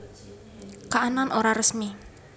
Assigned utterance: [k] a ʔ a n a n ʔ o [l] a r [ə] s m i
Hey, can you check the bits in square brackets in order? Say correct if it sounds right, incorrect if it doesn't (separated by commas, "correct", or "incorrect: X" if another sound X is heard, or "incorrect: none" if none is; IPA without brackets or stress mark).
correct, incorrect: ɾ, correct